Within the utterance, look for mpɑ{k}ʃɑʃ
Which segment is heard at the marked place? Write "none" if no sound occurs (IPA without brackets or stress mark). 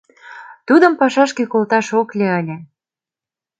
none